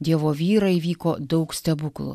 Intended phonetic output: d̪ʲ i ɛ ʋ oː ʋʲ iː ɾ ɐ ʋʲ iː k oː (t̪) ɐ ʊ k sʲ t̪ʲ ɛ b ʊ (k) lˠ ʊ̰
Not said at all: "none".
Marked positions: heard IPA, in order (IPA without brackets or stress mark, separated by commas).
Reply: d̪, k